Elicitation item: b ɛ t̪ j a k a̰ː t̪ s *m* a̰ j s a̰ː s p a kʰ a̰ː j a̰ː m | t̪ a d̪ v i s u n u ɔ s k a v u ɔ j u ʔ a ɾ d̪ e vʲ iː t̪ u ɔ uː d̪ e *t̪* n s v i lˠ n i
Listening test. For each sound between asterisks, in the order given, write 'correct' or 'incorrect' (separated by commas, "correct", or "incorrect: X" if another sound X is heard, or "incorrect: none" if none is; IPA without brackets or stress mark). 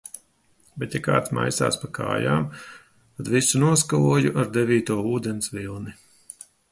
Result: correct, incorrect: none